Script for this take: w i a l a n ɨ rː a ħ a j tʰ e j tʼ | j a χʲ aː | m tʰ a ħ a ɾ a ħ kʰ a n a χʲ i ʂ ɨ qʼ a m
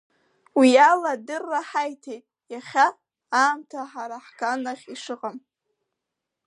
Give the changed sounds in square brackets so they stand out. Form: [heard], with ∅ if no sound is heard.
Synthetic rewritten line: w i a l a [d] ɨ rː a ħ a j tʰ e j tʼ | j a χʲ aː | m tʰ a ħ a ɾ a ħ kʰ a n a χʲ i ʂ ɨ qʼ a m